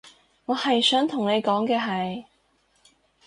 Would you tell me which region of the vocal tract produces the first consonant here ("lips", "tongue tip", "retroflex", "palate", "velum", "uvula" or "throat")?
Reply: velum